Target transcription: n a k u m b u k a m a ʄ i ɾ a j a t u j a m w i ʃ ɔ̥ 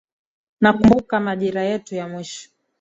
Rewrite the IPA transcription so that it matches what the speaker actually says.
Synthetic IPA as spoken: n a k u m b u k a m a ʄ i ɾ a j ɛ t u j a m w i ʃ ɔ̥

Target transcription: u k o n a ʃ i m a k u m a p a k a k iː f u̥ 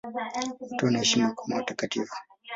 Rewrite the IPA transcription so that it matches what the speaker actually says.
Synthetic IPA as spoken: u t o n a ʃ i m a k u m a t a k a t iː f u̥

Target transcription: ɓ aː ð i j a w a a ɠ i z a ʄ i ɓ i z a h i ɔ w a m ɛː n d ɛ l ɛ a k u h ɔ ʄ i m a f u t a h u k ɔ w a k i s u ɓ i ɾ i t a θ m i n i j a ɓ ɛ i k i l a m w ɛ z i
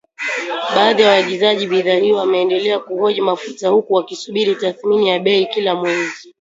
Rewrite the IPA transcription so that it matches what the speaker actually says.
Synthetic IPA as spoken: ɓ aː ð i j a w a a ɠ i z a ʄ i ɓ i ð a h i ɔ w a m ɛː n d ɛ l ɛ a k u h ɔ ʄ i m a f u t a h u k u w a k i s u ɓ i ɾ i t a θ m i n i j a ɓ ɛ i k i l a m w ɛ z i

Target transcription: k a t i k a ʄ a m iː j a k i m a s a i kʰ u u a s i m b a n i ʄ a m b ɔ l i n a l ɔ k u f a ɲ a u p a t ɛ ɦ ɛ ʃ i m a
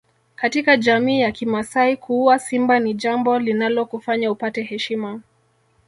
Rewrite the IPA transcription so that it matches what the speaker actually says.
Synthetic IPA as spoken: k a t i k a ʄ a m iː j a k i m a s a i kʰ u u a s i m b a n i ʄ a m b ɔ l i n a l ɔ k u f a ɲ a u p a t ɛ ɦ ɛ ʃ i m a

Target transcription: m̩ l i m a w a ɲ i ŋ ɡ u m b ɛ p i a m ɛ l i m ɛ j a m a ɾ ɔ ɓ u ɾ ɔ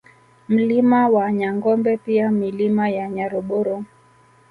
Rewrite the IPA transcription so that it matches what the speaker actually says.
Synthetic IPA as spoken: m̩ l i m a w a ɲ a ŋ ɡ ɔ m b ɛ p i a m i l i m a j a ɲ a ɾ ɔ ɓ ɔ ɾ ɔ

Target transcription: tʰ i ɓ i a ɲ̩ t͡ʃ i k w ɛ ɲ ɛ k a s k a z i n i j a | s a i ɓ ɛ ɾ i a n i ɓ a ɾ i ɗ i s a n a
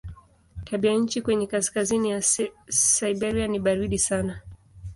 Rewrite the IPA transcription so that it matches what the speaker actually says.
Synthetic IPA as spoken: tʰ a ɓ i a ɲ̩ t͡ʃ i k w ɛ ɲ ɛ k a s k a z i n i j a | s a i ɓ ɛ ɾ i a n i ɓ a ɾ i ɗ i s a n a

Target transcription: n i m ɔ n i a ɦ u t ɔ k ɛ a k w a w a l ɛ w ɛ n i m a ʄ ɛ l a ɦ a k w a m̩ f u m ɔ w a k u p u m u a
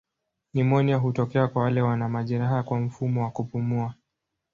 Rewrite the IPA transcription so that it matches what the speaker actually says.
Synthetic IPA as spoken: n i m ɔ n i a ɦ u t ɔ k ɛ a k w a w a l ɛ w a n a m a ʄ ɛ ɾ a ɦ a k w a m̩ f u m ɔ w a k u p u m u a

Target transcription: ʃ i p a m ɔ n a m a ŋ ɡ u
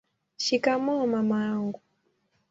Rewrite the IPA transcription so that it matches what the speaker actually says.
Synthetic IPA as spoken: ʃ i k a m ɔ m a m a ŋ ɡ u

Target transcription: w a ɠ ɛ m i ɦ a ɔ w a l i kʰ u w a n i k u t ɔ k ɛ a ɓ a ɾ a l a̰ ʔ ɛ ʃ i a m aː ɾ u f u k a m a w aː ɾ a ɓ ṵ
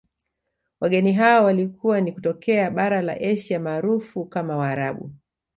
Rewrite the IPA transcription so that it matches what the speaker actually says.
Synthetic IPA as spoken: w a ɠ ɛ n i ɦ a ɔ w a l i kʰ u w a n i k u t ɔ k ɛ a ɓ a ɾ a l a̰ ʔ ɛ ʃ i a m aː ɾ u f u k a m a w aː ɾ a ɓ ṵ

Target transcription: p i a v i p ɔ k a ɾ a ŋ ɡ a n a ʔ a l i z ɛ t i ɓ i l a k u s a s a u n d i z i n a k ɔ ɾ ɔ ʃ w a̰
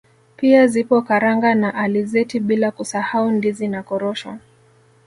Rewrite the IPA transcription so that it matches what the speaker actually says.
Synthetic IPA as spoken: p i a z i p ɔ k a ɾ a ŋ ɡ a n a ʔ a l i z ɛ t i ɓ i l a k u s a h a u n d i z i n a k ɔ ɾ ɔ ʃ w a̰

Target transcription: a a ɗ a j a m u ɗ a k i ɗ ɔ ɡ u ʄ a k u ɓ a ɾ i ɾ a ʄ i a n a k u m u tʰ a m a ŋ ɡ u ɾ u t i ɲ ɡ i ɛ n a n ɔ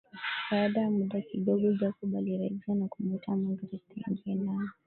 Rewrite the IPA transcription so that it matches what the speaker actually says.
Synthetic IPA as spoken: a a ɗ a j a m u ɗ a k i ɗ ɔ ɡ ɔ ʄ a k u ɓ a l i ɾ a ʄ i a n a k u m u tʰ a m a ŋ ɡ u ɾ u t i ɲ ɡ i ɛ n a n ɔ

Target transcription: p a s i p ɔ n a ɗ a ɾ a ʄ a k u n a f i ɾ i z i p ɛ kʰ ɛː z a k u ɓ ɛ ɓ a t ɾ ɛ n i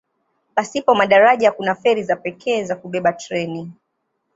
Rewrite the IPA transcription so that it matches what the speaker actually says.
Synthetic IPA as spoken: p a s i p ɔ m a ɗ a ɾ a ʄ a k u n a f ɛ ɾ i z a p ɛ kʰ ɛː z a k u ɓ ɛ ɓ a t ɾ ɛ n i

